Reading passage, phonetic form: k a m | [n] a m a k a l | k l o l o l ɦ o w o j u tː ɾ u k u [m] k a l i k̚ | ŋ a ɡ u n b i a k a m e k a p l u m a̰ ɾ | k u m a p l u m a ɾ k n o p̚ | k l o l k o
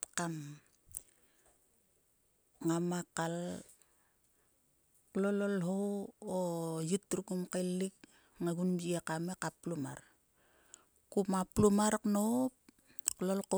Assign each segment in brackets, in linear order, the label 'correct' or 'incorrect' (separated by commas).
incorrect, correct